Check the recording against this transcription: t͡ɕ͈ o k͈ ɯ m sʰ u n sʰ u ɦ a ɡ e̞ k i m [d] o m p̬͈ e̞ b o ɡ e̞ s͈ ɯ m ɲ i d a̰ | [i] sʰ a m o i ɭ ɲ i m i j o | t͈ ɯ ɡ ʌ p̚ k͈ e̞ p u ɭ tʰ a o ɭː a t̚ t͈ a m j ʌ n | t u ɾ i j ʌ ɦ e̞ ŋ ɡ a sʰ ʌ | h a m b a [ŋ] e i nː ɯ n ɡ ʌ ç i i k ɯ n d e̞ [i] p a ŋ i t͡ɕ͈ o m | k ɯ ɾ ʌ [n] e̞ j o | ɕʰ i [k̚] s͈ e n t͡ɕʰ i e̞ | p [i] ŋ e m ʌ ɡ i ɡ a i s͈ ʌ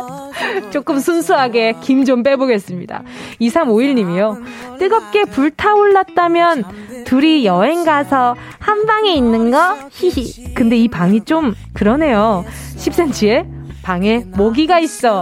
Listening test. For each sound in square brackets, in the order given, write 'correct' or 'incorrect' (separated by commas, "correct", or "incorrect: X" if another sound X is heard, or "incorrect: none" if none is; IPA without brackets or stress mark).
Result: incorrect: d͡ʑ, correct, correct, correct, correct, incorrect: p̚, incorrect: a